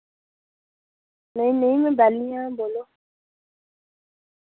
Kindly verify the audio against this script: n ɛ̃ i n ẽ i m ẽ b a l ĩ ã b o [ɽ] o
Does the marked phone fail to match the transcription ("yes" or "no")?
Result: yes